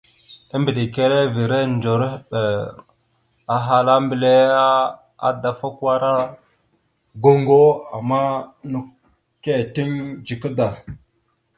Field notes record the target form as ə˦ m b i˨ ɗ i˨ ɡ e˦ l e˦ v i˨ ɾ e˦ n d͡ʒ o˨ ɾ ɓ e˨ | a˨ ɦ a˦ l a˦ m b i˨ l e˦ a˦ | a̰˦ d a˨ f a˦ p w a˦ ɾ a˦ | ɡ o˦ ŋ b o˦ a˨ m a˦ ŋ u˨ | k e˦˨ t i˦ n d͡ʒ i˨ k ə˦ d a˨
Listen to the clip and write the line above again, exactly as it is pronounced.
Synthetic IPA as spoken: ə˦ m b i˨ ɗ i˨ k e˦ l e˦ v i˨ ɾ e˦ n d͡ʒ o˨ ɾ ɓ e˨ | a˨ ɦ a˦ l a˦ m b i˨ l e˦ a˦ | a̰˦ d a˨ f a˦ k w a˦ ɾ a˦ | ɡ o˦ ŋ ɡ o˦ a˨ m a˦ n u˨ | k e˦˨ t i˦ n d͡ʒ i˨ k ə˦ d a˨